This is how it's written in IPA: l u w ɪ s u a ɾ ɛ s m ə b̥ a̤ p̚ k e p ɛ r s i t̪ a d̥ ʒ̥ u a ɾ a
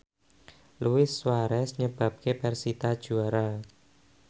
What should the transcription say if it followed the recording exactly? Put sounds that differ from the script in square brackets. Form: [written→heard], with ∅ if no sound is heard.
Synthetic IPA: l u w ɪ s [u→w] a ɾ ɛ s [m→ɲ] ə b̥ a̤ p̚ k e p ɛ r s i t̪ a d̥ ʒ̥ u a ɾ a